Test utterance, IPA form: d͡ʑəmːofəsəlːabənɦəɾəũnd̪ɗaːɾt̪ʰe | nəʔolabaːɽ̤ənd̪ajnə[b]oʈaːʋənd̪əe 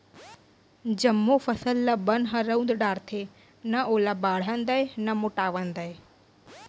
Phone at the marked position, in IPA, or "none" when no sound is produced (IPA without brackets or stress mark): m